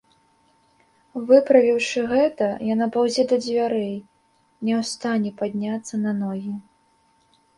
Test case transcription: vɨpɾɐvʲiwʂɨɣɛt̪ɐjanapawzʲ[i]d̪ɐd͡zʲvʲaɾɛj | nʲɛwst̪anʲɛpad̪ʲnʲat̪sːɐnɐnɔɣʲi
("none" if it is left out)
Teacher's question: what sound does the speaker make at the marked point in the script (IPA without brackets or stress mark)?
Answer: ɛ